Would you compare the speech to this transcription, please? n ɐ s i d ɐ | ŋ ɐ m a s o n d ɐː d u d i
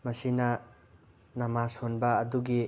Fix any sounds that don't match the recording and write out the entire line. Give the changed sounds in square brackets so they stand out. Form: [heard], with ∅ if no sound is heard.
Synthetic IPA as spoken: [m] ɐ s i [n] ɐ | [n] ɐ m a s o n [b] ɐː d u [ɡ] i